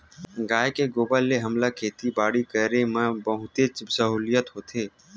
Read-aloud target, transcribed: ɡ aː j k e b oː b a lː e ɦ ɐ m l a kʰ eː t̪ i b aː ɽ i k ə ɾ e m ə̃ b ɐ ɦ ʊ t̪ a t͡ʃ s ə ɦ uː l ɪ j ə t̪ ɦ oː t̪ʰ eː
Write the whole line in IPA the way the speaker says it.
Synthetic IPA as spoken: ɡ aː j k e ɡ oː b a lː e ɦ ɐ m l a kʰ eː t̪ i b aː ɽ i k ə ɾ e m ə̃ b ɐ ɦ ʊ t̪ e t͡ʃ s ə ɦ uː l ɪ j ə t̪ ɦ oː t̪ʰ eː